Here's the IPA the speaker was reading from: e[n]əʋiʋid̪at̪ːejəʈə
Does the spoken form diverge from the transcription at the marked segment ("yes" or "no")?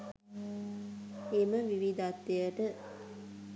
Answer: yes